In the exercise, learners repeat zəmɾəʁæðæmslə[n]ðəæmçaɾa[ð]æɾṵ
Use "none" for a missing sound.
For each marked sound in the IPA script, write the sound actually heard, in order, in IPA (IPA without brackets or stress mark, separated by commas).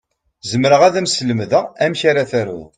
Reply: m, θ